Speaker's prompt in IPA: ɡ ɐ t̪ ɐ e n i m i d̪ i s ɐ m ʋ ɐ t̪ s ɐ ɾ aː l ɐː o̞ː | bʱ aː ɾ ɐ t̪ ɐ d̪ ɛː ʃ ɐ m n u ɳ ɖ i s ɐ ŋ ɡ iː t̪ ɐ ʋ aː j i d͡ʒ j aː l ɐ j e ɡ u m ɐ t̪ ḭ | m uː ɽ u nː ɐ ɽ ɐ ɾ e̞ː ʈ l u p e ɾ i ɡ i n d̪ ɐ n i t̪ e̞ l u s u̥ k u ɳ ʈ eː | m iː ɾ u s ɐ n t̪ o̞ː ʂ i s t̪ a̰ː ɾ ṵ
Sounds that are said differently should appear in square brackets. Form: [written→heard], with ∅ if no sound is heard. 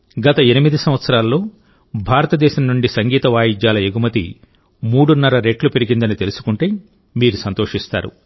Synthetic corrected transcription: ɡ ɐ t̪ ɐ e n i m i d̪ i s ɐ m ʋ ɐ t̪ s ɐ ɾ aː l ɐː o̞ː | bʱ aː ɾ ɐ t̪ ɐ d̪ ɛː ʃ ɐ m n u ɳ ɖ i s ɐ ŋ ɡ iː t̪ ɐ ʋ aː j i d͡ʒ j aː l ɐ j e ɡ u m ɐ t̪ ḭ | m uː ɽ u nː ɐ [ɽ→ɾ] ɐ ɾ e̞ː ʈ l u p e ɾ i ɡ i n d̪ ɐ n i t̪ e̞ l u s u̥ k u ɳ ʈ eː | m iː ɾ u s ɐ n t̪ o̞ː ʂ i s t̪ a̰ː ɾ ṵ